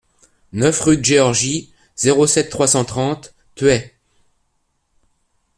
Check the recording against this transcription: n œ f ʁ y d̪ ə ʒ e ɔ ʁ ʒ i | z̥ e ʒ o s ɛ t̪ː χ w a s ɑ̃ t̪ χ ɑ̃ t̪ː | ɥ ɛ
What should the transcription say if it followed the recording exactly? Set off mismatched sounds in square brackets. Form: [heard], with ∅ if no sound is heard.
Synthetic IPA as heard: n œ f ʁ y d̪ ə ʒ e ɔ ʁ ʒ i | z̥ e [ʁ] o s ɛ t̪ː χ w a s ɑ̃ t̪ χ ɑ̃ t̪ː | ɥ ɛ